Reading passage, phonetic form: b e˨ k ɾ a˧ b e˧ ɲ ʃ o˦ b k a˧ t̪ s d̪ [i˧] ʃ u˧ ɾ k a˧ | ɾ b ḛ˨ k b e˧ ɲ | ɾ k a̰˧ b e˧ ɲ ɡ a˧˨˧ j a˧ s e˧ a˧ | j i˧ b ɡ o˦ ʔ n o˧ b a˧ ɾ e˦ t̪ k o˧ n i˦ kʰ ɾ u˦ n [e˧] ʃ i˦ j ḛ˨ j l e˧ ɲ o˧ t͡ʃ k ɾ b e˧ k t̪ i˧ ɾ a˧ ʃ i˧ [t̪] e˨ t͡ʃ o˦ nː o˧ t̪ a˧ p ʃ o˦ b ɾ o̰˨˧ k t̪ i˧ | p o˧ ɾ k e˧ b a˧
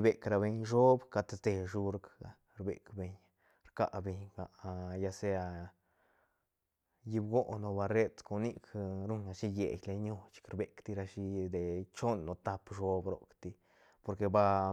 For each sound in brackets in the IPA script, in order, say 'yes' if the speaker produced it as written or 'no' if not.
no, no, no

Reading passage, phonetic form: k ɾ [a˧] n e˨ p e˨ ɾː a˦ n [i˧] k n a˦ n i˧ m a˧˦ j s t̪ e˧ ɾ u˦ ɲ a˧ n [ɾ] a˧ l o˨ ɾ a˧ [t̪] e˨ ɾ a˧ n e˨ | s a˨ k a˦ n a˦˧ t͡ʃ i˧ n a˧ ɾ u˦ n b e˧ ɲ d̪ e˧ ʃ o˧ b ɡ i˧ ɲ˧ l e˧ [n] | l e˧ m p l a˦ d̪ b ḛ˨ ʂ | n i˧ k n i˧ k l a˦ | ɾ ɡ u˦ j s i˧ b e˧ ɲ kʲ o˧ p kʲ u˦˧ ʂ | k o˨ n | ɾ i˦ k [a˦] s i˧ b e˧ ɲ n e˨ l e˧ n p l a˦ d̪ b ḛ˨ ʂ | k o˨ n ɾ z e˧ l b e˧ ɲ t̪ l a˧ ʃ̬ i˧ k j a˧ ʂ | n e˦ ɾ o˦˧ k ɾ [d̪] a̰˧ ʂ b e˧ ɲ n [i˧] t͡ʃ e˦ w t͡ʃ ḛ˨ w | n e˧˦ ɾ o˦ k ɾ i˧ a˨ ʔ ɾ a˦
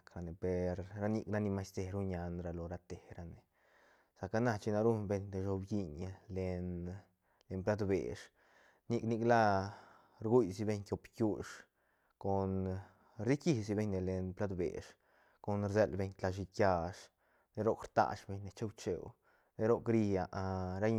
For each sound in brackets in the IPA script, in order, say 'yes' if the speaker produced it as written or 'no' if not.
yes, yes, yes, yes, yes, no, no, no

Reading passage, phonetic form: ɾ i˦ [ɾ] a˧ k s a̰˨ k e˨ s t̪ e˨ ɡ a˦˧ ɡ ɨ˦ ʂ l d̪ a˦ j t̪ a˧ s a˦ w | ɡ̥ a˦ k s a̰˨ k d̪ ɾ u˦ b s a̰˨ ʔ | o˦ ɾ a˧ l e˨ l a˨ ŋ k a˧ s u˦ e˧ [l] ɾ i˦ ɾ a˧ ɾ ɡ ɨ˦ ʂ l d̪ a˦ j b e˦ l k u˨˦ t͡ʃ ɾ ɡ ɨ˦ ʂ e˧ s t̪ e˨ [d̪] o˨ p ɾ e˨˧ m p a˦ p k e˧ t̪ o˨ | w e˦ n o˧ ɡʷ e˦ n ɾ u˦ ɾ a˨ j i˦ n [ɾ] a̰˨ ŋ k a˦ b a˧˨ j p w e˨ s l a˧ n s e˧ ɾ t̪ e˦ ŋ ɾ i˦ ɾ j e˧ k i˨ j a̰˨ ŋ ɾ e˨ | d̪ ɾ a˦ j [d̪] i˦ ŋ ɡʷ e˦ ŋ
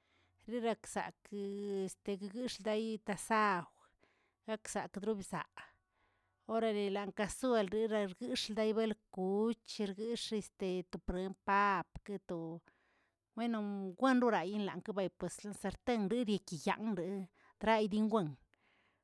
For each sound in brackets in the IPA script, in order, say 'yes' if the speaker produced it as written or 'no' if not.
yes, yes, no, no, yes

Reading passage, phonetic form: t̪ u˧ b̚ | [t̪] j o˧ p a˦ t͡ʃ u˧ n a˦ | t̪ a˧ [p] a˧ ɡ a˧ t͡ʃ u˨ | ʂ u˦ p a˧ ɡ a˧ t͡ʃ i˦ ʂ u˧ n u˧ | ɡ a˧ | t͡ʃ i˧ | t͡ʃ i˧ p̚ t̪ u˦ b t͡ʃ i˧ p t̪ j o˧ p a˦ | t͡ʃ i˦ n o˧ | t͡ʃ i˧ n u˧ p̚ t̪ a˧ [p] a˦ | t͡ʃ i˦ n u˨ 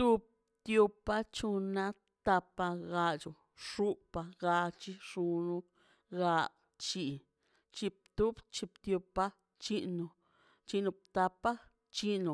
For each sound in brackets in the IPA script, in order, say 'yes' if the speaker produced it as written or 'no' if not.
yes, yes, yes

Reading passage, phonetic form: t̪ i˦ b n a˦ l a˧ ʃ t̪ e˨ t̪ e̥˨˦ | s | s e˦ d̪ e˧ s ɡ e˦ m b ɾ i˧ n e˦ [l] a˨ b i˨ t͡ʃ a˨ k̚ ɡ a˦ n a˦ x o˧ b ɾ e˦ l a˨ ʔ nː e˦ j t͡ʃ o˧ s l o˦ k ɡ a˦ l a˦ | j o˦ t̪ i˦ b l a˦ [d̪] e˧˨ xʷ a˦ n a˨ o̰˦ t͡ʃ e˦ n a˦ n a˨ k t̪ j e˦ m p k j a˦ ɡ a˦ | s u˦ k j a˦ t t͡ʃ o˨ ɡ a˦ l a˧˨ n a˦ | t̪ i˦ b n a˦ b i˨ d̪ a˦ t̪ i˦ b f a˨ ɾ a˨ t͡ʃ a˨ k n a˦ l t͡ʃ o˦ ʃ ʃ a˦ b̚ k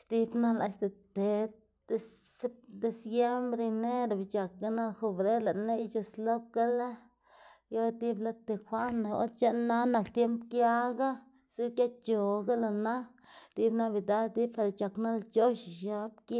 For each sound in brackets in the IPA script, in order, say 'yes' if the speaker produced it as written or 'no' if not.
no, no

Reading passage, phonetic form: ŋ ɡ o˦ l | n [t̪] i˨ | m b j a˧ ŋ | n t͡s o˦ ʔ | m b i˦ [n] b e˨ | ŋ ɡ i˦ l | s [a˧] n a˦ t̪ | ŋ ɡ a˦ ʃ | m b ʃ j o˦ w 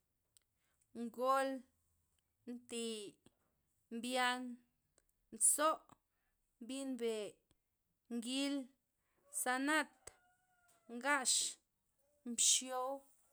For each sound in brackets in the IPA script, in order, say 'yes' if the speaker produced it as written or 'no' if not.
yes, yes, yes

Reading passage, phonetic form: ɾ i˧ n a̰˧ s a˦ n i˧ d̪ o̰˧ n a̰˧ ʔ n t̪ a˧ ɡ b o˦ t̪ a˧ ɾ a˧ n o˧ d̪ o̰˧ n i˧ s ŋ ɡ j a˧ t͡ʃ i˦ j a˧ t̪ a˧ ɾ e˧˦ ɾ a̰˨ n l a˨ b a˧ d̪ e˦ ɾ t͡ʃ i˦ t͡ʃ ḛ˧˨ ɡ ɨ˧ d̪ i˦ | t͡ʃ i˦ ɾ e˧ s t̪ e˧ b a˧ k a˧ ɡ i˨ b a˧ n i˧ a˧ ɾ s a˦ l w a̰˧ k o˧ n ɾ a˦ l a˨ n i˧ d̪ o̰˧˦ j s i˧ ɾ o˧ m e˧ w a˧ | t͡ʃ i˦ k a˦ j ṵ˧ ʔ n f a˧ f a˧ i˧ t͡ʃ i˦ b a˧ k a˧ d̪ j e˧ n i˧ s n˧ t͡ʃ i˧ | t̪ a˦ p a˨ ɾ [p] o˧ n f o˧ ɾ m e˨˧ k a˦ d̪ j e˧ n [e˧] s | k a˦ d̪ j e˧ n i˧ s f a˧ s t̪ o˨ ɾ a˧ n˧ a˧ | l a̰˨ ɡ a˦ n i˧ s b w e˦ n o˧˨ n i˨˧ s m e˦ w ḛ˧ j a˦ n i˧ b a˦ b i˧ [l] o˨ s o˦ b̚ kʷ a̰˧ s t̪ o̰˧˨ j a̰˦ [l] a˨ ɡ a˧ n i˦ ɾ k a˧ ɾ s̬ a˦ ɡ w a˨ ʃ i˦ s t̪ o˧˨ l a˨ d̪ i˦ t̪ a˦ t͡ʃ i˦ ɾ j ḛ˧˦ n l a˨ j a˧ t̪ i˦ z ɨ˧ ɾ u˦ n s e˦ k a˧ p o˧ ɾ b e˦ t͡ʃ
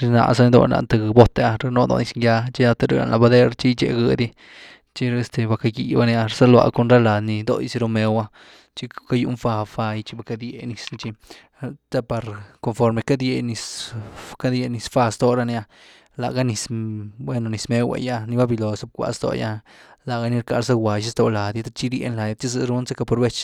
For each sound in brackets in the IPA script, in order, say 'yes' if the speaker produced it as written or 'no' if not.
no, no, yes, yes

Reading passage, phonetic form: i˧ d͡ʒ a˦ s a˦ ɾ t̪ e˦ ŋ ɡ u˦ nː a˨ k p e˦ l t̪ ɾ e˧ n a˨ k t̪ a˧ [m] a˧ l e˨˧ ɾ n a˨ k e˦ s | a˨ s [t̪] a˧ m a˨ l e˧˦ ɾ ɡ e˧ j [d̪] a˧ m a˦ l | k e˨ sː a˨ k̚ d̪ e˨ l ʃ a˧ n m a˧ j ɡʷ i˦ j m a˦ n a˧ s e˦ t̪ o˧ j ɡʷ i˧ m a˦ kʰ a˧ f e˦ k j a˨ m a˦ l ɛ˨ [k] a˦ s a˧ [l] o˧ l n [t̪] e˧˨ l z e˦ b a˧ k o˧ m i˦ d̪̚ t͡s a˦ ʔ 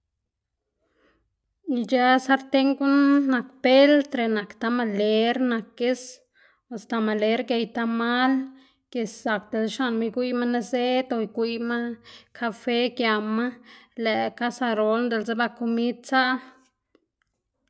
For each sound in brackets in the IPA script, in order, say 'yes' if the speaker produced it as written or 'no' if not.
yes, yes, no, yes, no, no

